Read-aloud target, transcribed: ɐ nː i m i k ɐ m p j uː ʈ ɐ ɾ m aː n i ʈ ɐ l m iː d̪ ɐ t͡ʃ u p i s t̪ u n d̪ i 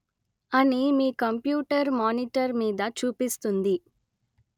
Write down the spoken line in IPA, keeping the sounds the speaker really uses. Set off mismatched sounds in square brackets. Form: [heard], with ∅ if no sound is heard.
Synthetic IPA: ɐ [n] i m [iː] k ɐ m p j uː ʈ ɐ ɾ m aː n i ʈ ɐ [ɾ] m iː d̪ ɐ t͡ʃ [uː] p i s t̪ u n d̪ i